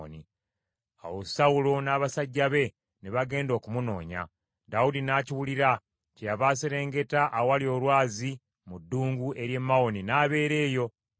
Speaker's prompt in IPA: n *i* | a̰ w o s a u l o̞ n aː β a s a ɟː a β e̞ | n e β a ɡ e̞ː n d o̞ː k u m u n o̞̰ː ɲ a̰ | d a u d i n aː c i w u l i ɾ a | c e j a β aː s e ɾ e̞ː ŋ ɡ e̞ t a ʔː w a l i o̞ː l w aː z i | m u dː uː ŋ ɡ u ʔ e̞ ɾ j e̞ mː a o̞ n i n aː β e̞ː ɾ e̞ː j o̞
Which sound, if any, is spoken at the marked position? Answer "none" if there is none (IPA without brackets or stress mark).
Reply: i